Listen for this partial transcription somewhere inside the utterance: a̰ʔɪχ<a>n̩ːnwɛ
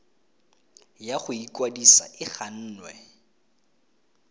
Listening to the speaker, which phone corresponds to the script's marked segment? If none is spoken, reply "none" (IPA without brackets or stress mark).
a